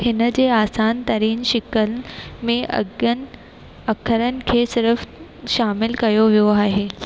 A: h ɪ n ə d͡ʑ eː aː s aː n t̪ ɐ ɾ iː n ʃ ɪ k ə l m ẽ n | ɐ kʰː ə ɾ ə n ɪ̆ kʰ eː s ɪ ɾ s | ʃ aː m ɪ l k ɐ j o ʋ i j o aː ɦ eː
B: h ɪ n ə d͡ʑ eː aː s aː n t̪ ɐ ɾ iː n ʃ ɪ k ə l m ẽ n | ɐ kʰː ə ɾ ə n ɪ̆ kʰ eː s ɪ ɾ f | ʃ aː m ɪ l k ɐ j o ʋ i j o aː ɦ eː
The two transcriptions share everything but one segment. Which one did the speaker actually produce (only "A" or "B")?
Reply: B